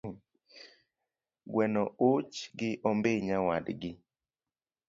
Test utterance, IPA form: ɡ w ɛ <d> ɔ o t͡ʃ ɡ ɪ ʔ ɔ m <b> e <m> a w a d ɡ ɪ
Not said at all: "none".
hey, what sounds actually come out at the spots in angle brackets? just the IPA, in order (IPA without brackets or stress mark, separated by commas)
n, b, ɲ